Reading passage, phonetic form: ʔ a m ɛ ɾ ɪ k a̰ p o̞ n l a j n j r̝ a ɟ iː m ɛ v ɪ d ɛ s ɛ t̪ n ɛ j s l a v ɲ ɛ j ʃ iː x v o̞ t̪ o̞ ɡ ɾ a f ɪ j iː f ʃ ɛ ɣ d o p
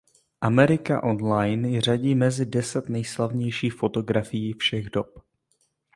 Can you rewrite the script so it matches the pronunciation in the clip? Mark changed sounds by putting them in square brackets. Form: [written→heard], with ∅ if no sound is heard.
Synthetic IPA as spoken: ʔ a m ɛ ɾ ɪ k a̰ [p→ʔ] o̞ n l a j n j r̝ a ɟ iː m ɛ [v→z] ɪ d ɛ s ɛ t̪ n ɛ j s l a v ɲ ɛ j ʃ iː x [v→f] o̞ t̪ o̞ ɡ ɾ a f ɪ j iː f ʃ ɛ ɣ d o p